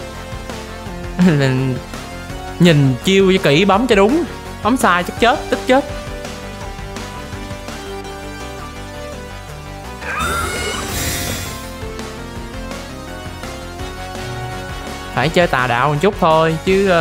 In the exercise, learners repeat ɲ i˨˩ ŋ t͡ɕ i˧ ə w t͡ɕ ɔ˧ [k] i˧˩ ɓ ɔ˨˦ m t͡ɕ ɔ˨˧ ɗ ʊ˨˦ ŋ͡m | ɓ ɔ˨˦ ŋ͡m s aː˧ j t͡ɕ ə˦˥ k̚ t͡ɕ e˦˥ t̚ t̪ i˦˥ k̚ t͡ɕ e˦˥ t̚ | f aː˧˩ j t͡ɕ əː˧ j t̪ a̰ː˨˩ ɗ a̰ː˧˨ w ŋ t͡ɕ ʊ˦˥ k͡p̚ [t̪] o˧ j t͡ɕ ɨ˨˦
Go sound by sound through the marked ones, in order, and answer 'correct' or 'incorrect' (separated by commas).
correct, incorrect